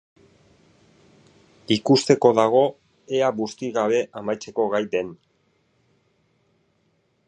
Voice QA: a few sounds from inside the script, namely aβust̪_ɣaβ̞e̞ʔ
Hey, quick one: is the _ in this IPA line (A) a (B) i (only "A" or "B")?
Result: B